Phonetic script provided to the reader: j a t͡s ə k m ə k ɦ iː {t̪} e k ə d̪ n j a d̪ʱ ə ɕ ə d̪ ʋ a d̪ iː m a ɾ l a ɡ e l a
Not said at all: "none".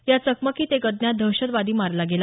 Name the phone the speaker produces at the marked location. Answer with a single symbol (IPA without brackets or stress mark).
t̪